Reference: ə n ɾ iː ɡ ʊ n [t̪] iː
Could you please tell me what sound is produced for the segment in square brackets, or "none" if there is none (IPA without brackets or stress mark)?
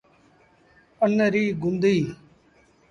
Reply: d̪